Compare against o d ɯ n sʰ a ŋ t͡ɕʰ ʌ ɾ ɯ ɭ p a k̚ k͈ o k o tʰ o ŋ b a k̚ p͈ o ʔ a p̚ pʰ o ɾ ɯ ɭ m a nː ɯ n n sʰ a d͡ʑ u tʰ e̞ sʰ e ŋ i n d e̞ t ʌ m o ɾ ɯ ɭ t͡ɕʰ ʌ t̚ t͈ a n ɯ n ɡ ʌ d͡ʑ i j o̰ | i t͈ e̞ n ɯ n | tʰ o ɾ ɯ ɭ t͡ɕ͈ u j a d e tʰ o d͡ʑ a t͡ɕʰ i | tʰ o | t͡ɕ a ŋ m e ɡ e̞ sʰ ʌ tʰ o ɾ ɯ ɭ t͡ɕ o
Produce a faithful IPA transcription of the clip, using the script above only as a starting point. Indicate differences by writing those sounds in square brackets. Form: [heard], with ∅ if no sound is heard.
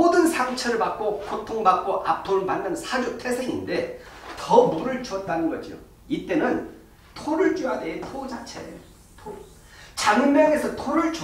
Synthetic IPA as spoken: o d ɯ n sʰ a ŋ t͡ɕʰ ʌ ɾ ɯ ɭ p a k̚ k͈ o k o tʰ o ŋ b a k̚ [k͈] o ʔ a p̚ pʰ o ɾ ɯ ɭ m a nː ɯ n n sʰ a d͡ʑ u tʰ e̞ sʰ e ŋ i n d e̞ t ʌ m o ɾ ɯ ɭ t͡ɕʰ ʌ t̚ t͈ a n ɯ n ɡ ʌ d͡ʑ i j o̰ | i t͈ e̞ n ɯ n | tʰ o ɾ ɯ ɭ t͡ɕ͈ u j a d e tʰ o d͡ʑ a t͡ɕʰ [e] | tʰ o | t͡ɕ a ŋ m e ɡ e̞ sʰ ʌ tʰ o ɾ ɯ ɭ t͡ɕ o

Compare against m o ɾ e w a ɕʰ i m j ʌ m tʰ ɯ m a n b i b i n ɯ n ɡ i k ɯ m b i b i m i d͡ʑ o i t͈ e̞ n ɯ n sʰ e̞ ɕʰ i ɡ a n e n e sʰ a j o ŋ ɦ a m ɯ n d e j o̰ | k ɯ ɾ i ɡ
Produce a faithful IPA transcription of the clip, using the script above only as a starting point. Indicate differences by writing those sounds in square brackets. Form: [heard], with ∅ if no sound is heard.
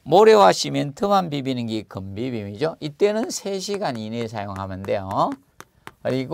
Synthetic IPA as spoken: m o ɾ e w a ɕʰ i m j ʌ [n] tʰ ɯ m a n b i b i n ɯ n ɡ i k ɯ m b i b i m i d͡ʑ o i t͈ e̞ n ɯ n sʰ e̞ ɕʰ i ɡ a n [i] n e sʰ a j o ŋ ɦ a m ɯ n d e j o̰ | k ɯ ɾ i ɡ

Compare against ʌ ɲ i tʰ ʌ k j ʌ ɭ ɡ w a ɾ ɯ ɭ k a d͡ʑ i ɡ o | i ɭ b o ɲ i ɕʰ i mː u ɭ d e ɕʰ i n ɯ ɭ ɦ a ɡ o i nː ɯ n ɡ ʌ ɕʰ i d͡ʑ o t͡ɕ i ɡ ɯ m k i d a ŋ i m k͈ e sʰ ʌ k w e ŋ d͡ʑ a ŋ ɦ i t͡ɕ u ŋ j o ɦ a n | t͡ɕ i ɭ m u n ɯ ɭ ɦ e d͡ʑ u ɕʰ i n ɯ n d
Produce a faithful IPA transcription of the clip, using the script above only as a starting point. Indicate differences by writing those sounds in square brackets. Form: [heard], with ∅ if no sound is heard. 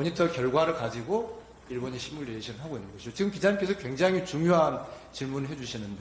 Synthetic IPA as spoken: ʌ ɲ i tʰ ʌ k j ʌ ɭ ɡ w a ɾ ɯ ɭ k a d͡ʑ i ɡ o | i ɭ b o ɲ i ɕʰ i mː u ɭ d e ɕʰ i n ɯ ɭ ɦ a ɡ o i nː ɯ n ɡ ʌ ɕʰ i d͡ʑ o t͡ɕ i ɡ ɯ m k i [d͡ʑ] a [ɲ] i m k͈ e sʰ ʌ k w e ŋ d͡ʑ a ŋ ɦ i t͡ɕ u ŋ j o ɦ a n | t͡ɕ i ɭ m u n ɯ ɭ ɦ e d͡ʑ u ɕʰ i n ɯ n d

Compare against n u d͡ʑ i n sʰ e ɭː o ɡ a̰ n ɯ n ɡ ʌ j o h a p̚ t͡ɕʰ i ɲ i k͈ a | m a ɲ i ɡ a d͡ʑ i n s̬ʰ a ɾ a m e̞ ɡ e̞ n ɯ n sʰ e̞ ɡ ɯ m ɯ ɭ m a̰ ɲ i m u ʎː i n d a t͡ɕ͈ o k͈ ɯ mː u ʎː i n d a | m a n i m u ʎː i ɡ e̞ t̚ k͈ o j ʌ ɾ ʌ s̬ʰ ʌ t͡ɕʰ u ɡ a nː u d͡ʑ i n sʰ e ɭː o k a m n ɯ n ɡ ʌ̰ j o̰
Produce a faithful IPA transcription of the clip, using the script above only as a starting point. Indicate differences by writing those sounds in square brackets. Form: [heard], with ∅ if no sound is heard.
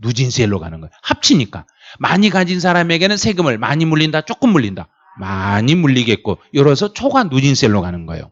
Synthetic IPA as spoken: n u d͡ʑ i n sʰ e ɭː o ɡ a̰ n ɯ n ɡ ʌ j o h a p̚ t͡ɕʰ i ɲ i k͈ a | m a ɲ i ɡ a d͡ʑ i n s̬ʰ a ɾ a m e̞ ɡ e̞ n ɯ n sʰ e̞ ɡ ɯ m ɯ ɭ m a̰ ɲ i m u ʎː i n d a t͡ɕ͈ o k͈ ɯ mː u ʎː i n d a | m a [ɲ] i m u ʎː i ɡ e̞ t̚ k͈ o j ʌ ɾ ʌ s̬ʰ ʌ t͡ɕʰ [o] ɡ a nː u d͡ʑ i n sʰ e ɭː o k a [∅] n ɯ n ɡ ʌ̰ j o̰

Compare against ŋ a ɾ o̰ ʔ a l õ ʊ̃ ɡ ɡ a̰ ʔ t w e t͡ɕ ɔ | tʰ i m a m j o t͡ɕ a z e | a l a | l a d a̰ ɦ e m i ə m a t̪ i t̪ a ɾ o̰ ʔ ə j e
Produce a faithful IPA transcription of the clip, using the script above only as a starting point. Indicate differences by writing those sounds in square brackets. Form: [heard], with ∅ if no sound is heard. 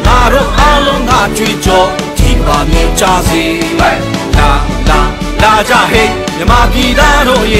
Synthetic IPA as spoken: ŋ a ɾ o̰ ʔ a l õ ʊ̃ [ŋ] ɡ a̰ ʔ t w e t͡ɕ ɔ | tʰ i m a m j o t͡ɕ a z e | a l a | l a [d͡ʑ] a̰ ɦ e m [j] ə m a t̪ i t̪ a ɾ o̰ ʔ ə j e

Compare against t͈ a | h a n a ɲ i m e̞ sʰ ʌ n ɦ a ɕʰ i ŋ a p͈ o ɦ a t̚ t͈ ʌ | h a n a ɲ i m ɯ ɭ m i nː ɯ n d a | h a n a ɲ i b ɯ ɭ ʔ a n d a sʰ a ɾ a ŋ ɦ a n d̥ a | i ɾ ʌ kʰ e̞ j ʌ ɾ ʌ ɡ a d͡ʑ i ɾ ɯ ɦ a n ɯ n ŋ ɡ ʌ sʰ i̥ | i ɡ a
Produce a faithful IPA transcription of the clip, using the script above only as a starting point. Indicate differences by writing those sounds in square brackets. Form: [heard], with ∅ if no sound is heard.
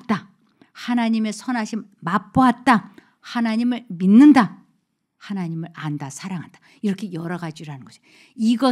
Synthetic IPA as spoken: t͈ a | h a n a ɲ i m e̞ sʰ ʌ n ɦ a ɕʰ i [m] a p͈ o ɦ a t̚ t͈ [a] | h a n a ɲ i m ɯ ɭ m i nː ɯ n d a | h a n a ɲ i [m] ɯ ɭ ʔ a n d a sʰ a ɾ a ŋ ɦ a n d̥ a | i ɾ ʌ kʰ e̞ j ʌ ɾ ʌ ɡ a d͡ʑ i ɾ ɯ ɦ a n ɯ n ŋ ɡ ʌ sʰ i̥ | i ɡ [ʌ]

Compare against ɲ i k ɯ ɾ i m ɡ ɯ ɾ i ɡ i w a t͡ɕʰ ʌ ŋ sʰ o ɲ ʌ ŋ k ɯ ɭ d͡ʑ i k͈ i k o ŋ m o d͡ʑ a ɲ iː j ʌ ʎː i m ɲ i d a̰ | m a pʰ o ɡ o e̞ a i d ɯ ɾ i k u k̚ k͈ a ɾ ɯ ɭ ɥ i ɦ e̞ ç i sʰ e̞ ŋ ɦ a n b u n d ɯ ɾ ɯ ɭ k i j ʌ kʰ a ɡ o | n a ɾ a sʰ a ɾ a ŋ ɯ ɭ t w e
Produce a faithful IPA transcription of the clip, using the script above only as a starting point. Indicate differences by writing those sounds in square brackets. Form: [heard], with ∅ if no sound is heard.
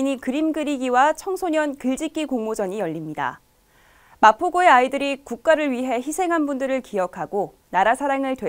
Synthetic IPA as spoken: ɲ i k ɯ ɾ i m ɡ ɯ ɾ i ɡ i w a t͡ɕʰ ʌ ŋ sʰ o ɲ ʌ [n] k ɯ ɭ d͡ʑ i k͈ i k o ŋ m o d͡ʑ [ʌ] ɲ [i] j ʌ ʎː i m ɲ i d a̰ | m a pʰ o ɡ o e̞ a i d ɯ ɾ i k u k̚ k͈ a ɾ ɯ ɭ ɥ i ɦ e̞ ç i sʰ e̞ ŋ ɦ a n b u n d ɯ ɾ ɯ ɭ k i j ʌ kʰ a ɡ o | n a ɾ a sʰ a ɾ a ŋ ɯ ɭ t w e

